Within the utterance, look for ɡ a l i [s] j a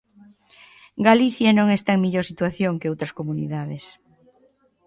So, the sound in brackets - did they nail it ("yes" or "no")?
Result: no